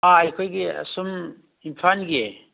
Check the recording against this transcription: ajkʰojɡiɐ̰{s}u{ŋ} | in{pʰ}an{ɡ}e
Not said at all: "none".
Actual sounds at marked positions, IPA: s, m, pʰ, ɡ

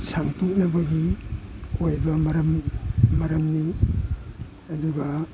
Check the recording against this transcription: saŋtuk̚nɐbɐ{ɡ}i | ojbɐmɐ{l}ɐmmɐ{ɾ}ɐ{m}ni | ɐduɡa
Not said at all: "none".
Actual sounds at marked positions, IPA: ɡ, ɾ, ɾ, m

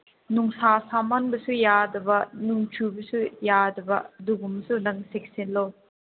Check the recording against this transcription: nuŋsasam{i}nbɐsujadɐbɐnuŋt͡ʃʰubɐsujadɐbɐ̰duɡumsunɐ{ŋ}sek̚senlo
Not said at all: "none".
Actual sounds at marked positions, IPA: a, ŋ

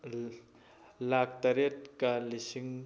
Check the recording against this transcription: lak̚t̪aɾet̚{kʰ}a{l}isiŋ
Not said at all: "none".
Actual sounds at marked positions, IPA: k, l

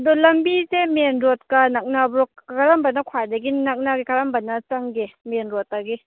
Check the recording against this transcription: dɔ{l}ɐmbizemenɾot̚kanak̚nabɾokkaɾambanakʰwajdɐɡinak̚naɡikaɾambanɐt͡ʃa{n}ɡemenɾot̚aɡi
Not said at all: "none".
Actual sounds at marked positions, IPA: l, ŋ

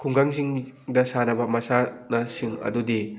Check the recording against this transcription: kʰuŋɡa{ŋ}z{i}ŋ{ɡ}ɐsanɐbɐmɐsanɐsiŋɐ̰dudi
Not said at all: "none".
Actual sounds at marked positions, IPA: ŋ, i, d

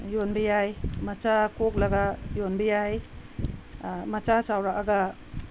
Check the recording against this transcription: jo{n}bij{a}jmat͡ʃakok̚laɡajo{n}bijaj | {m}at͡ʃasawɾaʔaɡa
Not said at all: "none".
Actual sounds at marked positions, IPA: n, a, n, m

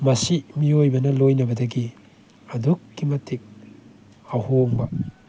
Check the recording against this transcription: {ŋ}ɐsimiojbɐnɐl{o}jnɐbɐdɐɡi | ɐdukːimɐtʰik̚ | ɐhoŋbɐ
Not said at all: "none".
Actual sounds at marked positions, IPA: m, o

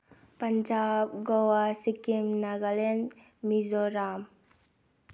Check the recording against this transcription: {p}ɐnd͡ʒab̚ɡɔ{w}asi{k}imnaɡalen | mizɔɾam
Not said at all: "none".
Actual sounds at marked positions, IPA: p, w, k

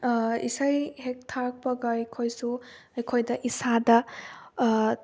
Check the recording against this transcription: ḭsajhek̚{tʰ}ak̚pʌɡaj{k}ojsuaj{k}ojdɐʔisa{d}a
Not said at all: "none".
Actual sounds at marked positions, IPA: tʰ, kʰ, kʰ, d

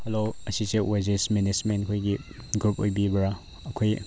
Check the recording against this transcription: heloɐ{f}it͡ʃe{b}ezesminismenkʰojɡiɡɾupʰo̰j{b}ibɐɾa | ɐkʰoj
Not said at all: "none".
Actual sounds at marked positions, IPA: s, w, b

